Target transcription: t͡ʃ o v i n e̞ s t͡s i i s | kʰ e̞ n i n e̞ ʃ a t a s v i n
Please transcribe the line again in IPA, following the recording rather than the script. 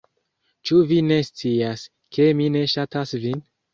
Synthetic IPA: t͡ʃ u v i n e̞ s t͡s i a s | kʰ e̞ m i n e̞ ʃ a t a s v i n